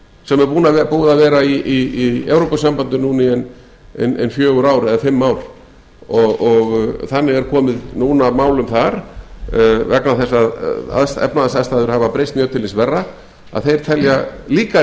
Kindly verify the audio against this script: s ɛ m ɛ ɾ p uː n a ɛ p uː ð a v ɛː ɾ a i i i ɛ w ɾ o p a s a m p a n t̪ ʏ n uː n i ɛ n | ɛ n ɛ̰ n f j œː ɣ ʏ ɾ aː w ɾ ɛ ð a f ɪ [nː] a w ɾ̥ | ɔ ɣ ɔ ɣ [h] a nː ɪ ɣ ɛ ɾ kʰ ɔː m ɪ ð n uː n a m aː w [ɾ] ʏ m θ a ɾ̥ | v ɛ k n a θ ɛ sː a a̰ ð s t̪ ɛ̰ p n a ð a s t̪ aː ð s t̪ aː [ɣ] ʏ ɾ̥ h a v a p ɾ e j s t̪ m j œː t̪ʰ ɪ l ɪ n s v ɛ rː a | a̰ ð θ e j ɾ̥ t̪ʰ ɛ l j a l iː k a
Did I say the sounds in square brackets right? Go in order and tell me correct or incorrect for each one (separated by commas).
incorrect, incorrect, incorrect, incorrect